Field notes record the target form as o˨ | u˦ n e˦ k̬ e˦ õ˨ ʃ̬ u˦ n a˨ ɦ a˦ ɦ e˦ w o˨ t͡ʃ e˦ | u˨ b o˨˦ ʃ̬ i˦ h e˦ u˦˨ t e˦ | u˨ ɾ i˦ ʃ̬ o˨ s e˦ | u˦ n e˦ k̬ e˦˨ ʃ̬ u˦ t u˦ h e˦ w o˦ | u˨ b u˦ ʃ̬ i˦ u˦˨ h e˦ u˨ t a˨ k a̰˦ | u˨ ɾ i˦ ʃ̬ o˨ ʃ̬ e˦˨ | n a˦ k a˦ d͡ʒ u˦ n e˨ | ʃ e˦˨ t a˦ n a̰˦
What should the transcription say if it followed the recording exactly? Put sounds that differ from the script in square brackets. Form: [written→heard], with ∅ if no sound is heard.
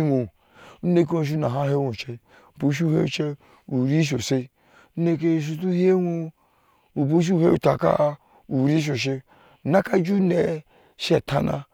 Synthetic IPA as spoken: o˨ | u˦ n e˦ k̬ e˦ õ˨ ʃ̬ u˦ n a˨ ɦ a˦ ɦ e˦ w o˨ t͡ʃ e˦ | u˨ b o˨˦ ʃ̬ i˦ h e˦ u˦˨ [t→t͡ʃ] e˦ | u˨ ɾ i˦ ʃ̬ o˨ s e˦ | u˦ n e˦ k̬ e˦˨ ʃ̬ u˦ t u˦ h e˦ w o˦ | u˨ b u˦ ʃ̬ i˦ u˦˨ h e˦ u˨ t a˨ k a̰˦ | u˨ ɾ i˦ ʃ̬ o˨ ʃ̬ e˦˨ | n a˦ k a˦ d͡ʒ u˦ n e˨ | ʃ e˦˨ t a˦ n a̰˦